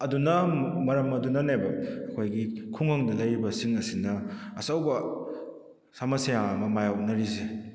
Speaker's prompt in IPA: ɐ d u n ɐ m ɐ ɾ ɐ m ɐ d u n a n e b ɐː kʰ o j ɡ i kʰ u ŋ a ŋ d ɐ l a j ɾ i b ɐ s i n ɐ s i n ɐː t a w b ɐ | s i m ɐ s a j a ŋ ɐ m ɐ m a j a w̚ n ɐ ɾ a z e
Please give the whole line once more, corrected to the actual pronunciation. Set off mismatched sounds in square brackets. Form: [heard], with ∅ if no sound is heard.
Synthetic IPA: ɐ d u n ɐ m ɐ ɾ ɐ m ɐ d u n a n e b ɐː kʰ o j ɡ i kʰ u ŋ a ŋ d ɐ l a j ɾ i b ɐ s i [ŋ] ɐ s i n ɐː [s] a w b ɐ | s [a] m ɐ s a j a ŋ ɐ m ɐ m a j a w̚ n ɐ ɾ [i] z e

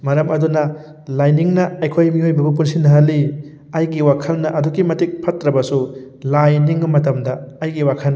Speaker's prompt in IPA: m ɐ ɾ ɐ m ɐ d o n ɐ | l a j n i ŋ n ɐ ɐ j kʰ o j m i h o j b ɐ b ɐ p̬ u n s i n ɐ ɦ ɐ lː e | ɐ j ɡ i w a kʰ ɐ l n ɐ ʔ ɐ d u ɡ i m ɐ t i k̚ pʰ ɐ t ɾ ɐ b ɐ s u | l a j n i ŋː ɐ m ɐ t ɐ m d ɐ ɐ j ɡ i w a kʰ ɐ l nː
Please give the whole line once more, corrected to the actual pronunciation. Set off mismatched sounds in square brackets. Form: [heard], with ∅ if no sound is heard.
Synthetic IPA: m ɐ ɾ ɐ m ɐ d [u] n ɐ | l a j n i ŋ n ɐ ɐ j kʰ o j m i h o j b ɐ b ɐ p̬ u n s i n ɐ ɦ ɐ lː [i] | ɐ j ɡ i w a kʰ ɐ l n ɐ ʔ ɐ d u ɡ i m ɐ t i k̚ pʰ ɐ t ɾ ɐ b ɐ s u | l a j n i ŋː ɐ m ɐ t ɐ m d ɐ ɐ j ɡ i w a kʰ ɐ l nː

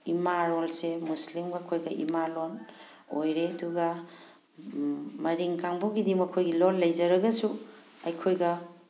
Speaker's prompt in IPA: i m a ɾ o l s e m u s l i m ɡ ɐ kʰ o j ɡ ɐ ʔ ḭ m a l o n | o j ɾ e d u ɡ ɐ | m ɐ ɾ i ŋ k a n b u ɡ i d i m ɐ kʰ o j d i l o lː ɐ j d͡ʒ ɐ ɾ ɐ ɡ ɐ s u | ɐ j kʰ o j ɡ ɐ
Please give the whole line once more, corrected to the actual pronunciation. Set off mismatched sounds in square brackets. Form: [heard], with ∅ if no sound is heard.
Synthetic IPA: i m a ɾ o l s e m u s l i m ɡ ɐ kʰ o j ɡ ɐ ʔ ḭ m a l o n | o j ɾ e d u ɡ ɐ | m ɐ ɾ i ŋ k a [ŋ] b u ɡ i d i m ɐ kʰ o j [ɡ] i l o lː ɐ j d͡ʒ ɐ ɾ ɐ ɡ ɐ s u | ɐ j kʰ o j ɡ ɐ

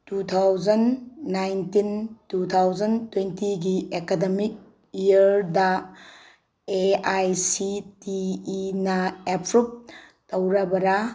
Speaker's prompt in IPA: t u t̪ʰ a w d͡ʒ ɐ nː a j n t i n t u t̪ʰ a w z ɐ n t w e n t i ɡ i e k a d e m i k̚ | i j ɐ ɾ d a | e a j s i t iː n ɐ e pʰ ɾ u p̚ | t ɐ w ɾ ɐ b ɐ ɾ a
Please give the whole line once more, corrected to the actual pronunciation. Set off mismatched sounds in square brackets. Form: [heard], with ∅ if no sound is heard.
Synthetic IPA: t u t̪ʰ a w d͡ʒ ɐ nː a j n t i n t u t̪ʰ a w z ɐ n t w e n t i ɡ i e k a d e m i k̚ | i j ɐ ɾ d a | e a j s i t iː n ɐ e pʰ ɾ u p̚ | t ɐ w ɾ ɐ b ɐ ɾ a

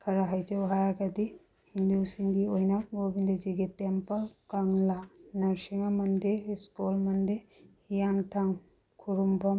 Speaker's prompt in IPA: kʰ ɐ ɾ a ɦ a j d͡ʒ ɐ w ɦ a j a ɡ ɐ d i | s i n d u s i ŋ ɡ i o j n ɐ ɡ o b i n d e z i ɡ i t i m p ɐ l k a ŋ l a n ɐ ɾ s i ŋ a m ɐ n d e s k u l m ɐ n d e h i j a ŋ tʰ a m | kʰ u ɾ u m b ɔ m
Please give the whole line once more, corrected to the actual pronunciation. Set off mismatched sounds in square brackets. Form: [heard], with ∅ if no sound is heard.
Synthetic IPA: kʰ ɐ ɾ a ɦ a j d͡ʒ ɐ w ɦ a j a ɡ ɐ d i | [h] i n d u s i ŋ ɡ i o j n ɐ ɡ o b i n d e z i ɡ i t [e] m p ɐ l k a ŋ l a n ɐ ɾ s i ŋ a m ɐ n d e s k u l m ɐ n d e h i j a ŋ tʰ a [ŋ] | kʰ u ɾ u m b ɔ m

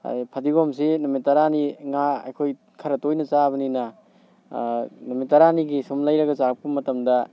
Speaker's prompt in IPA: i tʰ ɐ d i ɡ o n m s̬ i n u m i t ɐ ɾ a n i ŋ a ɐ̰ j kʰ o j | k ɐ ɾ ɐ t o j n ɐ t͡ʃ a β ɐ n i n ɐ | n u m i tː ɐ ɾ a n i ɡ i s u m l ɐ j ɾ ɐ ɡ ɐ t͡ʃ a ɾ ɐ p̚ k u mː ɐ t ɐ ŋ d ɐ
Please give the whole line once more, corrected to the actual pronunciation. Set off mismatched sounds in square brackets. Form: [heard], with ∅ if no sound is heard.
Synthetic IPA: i [pʰ] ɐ d i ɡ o [∅] m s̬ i n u m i t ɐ ɾ a n i ŋ a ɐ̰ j kʰ o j | [kʰ] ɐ ɾ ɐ t o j n ɐ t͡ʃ a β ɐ n i n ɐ | n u m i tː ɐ ɾ a n i ɡ i s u m l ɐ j ɾ ɐ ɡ ɐ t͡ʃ a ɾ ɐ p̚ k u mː ɐ t ɐ [m] d ɐ

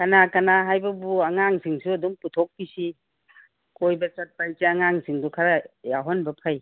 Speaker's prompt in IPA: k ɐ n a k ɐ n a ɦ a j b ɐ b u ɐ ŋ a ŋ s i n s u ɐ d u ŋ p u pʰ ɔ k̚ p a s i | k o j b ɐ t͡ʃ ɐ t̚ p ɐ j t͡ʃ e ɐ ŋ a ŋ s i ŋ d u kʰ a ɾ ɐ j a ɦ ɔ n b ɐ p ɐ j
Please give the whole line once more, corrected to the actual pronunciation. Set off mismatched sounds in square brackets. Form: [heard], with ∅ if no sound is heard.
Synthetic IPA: k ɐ n a k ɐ n a ɦ a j b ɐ b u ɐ ŋ a ŋ s i [ŋ] s u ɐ d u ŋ p u [tʰ] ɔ k̚ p [i] s i | k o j b ɐ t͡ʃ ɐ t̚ p [a] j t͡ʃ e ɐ ŋ a ŋ s i ŋ d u kʰ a ɾ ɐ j a ɦ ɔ n b ɐ [pʰ] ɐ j

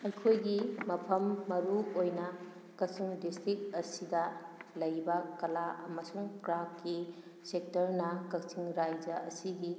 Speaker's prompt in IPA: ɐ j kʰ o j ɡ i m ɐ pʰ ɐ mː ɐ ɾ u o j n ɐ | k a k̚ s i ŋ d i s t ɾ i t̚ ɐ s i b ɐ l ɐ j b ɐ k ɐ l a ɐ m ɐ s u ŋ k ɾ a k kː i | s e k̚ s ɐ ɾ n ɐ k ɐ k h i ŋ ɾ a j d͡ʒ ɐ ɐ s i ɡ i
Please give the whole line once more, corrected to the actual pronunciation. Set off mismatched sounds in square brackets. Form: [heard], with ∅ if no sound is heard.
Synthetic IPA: ɐ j kʰ o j ɡ i m ɐ pʰ ɐ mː ɐ ɾ u o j n ɐ | k [ɐ] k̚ s i ŋ d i s t ɾ i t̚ ɐ s i [d] ɐ l ɐ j b ɐ k ɐ l a ɐ m ɐ s u ŋ k ɾ a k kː i | s e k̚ [t] ɐ ɾ n ɐ k ɐ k [s] i ŋ ɾ a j d͡ʒ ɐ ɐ s i ɡ i

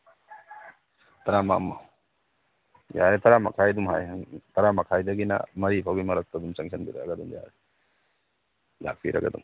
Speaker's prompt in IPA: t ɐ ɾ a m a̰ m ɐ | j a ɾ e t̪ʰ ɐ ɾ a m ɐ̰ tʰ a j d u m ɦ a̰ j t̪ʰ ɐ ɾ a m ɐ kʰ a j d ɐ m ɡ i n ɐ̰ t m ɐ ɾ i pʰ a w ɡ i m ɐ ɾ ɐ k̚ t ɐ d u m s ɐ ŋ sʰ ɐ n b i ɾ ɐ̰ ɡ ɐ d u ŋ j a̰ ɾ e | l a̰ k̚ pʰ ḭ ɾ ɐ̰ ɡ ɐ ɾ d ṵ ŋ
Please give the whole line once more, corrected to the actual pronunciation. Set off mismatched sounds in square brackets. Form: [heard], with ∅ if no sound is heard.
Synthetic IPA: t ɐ ɾ a m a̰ m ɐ | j a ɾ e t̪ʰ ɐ ɾ a m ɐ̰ [kʰ] a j d u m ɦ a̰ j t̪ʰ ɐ ɾ a m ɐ kʰ a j d ɐ [∅] ɡ i n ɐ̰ [∅] m ɐ ɾ i pʰ a w ɡ i m ɐ ɾ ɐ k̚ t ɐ d u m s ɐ ŋ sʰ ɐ n b i ɾ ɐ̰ ɡ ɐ d u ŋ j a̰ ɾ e | l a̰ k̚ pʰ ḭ ɾ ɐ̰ ɡ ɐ [∅] d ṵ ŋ

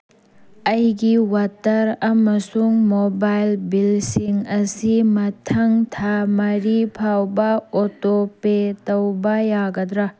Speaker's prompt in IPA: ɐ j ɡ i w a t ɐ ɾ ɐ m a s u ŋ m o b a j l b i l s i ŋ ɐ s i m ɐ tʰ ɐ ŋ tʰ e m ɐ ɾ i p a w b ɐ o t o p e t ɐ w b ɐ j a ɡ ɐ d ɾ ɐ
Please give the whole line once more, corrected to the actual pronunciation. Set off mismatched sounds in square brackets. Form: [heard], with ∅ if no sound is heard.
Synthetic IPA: ɐ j ɡ i w a t ɐ ɾ ɐ m [ɐ] s u ŋ m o b a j l b i l s i ŋ ɐ s i m ɐ tʰ ɐ ŋ tʰ [a] m ɐ ɾ i [pʰ] a w b ɐ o t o p e t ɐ w b ɐ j a ɡ ɐ d ɾ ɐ

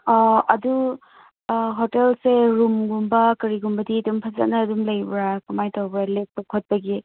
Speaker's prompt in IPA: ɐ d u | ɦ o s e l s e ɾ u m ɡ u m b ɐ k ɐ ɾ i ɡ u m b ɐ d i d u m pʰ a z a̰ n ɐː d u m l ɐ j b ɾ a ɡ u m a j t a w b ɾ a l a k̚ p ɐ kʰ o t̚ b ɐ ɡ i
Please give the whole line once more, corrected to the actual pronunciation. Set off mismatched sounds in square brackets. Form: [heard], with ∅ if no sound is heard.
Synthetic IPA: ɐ d u | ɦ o [t] e l s e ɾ u m ɡ u m b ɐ k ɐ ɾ i ɡ u m b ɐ d i d u m pʰ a z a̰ n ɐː d u m l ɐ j b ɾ a [k] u m a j t a w b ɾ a l [e] k̚ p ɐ kʰ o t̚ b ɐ ɡ i

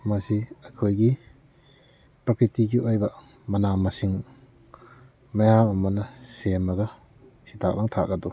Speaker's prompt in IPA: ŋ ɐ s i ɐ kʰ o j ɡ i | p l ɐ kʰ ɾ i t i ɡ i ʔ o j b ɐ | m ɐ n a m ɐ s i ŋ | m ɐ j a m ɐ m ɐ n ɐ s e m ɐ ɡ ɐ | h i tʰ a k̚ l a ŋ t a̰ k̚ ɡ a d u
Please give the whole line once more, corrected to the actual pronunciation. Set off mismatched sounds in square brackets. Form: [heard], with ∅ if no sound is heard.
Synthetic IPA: [m] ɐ s i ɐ kʰ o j ɡ i | p [ɾ] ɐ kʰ ɾ i t i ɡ i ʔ o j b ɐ | m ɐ n a m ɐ s i ŋ | m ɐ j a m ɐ m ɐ n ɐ s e m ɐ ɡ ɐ | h i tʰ a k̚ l a ŋ [tʰ] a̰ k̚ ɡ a d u

